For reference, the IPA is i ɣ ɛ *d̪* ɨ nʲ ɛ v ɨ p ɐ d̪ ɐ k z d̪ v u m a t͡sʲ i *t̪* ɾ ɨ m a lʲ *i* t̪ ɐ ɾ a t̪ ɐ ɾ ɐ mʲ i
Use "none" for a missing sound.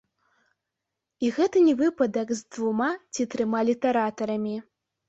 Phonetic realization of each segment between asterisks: t̪, t̪, i

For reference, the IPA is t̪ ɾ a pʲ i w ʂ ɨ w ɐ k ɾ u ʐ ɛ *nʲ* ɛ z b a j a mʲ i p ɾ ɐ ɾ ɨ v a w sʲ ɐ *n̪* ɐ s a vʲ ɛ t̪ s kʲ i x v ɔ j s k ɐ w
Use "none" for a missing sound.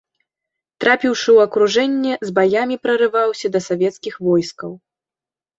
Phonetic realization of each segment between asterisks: nʲː, d̪

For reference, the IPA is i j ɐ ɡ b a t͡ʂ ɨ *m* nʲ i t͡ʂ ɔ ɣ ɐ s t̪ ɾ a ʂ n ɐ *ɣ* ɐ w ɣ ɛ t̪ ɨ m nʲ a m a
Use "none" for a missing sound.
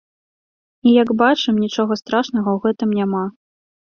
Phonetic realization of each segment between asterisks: m, ɣ

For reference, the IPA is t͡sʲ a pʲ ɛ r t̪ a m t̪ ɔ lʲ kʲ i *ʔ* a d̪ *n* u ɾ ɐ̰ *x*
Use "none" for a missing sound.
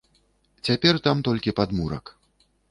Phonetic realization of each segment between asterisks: p, m, k

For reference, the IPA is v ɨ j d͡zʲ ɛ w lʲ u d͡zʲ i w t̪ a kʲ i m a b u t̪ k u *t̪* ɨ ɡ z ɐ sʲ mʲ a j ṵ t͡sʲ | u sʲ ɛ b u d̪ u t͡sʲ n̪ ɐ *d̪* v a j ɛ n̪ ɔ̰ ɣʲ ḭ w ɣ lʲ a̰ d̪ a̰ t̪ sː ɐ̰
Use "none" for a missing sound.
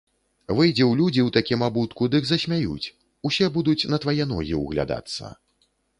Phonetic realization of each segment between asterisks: d̪, t̪

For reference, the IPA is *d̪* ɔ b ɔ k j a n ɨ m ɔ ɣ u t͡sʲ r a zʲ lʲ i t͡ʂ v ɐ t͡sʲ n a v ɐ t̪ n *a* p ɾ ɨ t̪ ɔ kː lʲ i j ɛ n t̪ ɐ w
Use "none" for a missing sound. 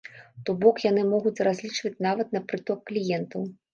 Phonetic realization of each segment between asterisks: t̪, ɐ

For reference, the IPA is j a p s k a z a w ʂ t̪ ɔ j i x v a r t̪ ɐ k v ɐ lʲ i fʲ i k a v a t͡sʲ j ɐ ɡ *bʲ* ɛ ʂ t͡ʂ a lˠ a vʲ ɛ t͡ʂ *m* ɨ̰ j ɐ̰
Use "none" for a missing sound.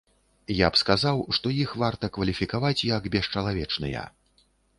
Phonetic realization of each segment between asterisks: bʲ, n

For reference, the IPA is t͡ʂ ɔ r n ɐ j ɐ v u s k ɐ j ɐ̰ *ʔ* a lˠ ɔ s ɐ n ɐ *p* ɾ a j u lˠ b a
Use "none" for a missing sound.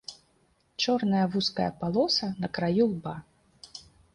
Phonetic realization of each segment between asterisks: p, k

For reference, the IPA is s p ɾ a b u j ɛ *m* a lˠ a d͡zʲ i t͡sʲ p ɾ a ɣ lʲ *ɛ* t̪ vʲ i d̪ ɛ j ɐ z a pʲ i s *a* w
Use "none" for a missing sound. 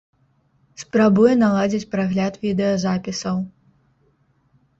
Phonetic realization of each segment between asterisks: n, a, ɐ

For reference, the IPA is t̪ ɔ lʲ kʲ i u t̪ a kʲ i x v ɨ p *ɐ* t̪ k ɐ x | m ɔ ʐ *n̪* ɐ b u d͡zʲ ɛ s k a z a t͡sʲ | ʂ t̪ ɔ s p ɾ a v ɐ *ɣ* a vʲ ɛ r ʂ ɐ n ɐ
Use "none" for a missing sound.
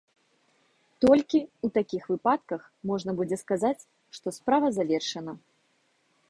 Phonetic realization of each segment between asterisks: a, n̪, z

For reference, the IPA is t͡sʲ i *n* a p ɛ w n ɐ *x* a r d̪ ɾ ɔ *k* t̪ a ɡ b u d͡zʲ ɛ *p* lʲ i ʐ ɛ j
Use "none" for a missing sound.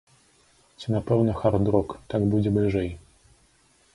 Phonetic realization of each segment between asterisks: n, x, k, b

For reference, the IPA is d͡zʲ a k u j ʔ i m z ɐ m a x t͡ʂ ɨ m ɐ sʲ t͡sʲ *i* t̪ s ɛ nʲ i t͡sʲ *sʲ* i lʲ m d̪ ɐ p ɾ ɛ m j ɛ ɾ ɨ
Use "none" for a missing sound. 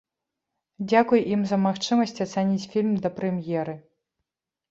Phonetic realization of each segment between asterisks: a, fʲ

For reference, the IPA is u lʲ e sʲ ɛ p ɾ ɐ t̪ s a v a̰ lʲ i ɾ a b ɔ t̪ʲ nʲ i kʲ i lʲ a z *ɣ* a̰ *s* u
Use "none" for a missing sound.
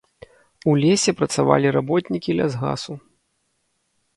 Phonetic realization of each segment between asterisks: ɣ, s

